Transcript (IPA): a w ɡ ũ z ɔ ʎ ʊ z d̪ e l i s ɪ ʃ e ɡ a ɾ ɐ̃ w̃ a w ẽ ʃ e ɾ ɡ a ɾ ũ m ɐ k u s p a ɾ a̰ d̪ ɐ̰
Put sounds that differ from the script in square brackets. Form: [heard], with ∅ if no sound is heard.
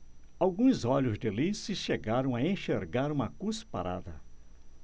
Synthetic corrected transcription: a w ɡ ũ z ɔ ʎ ʊ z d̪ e l i s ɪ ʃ e ɡ a ɾ ɐ̃ w̃ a [∅] ẽ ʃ e ɾ ɡ a ɾ ũ m ɐ k u s p a ɾ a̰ d̪ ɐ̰